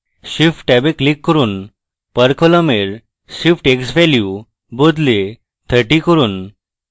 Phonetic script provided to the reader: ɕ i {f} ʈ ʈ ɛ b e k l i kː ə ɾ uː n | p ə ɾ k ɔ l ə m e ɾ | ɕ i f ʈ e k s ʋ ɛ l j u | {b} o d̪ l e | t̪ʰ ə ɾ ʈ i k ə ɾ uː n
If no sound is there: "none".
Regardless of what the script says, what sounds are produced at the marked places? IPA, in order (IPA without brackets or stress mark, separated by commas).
f, b